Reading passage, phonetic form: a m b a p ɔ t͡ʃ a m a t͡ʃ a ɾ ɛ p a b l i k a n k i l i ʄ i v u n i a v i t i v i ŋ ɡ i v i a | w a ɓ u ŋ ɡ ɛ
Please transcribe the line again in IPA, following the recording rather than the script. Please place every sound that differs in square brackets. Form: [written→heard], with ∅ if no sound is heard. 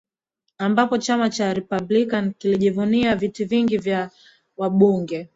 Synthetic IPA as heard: a m b a p ɔ t͡ʃ a m a t͡ʃ a ɾ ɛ p a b l i k a n k i l i ʄ i v u n i a v i t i v i ŋ ɡ i v [i→j] a | w a ɓ u ŋ ɡ ɛ